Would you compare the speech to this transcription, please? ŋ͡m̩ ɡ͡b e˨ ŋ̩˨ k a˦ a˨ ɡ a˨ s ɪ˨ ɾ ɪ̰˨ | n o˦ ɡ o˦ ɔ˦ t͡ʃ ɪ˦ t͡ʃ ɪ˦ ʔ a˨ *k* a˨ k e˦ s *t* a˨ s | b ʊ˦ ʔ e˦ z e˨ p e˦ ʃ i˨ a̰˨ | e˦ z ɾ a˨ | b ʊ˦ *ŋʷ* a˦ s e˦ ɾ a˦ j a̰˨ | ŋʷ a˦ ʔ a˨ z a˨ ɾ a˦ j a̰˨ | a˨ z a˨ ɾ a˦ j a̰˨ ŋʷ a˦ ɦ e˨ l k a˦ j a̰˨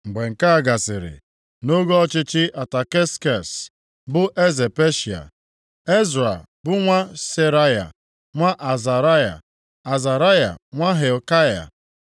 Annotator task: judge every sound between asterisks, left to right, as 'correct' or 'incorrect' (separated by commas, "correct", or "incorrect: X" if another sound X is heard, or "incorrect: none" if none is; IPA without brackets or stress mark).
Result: incorrect: t, incorrect: k, correct